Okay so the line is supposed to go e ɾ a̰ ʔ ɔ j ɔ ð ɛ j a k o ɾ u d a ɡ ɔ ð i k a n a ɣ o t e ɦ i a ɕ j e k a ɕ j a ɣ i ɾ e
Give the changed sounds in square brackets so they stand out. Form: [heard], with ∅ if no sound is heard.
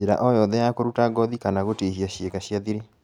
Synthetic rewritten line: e ɾ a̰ ʔ ɔ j ɔ ð ɛ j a k o ɾ u [t] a ɡ ɔ ð i k a n a ɣ o t e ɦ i a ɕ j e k a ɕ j a [ð] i ɾ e

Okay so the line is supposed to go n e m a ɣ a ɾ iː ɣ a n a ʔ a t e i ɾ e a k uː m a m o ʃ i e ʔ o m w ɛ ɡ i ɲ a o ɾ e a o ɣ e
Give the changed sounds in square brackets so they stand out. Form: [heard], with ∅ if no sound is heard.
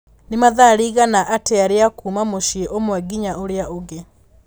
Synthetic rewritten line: n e m a [ð] a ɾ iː ɣ a n a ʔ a t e [a] ɾ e a k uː m a m o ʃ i e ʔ o m w ɛ ɡ i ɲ a o ɾ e a o ɣ e

